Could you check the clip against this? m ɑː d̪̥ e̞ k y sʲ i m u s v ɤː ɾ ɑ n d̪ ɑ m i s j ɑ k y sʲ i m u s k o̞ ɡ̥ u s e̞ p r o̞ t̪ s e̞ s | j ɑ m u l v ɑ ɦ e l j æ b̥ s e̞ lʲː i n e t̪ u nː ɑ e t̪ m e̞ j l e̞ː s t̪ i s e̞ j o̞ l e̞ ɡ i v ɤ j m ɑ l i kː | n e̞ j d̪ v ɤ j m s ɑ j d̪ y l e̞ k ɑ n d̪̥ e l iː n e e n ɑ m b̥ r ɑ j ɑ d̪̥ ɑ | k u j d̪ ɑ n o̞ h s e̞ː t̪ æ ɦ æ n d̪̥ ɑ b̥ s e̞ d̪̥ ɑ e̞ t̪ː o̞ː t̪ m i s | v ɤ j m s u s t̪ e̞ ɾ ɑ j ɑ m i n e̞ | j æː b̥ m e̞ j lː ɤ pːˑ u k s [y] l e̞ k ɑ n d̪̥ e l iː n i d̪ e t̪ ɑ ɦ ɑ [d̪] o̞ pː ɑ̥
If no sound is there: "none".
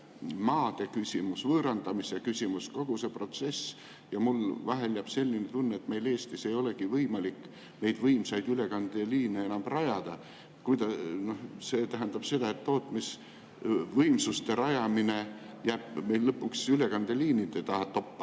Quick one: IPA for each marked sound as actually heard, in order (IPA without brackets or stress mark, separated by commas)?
y, t̪